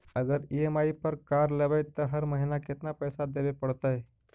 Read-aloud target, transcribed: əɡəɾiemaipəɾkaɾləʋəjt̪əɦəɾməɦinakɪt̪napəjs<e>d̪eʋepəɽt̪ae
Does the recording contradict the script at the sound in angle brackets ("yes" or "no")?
yes